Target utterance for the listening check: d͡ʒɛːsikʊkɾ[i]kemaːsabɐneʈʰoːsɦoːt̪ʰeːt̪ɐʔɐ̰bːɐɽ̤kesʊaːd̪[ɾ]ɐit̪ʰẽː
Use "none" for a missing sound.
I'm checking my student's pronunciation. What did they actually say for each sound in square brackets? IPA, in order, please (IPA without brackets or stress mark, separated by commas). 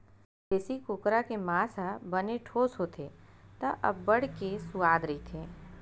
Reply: a, ɾ